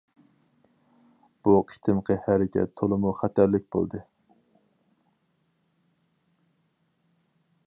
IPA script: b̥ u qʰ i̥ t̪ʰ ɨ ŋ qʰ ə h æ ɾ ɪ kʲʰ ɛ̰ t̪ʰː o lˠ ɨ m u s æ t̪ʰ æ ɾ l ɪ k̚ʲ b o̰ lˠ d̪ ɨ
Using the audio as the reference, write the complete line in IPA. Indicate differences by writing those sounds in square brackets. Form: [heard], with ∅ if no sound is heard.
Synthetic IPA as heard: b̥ u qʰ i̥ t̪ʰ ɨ [m] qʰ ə h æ ɾ ɪ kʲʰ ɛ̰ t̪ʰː o lˠ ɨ m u [χ] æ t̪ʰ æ ɾ l ɪ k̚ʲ b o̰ lˠ d̪ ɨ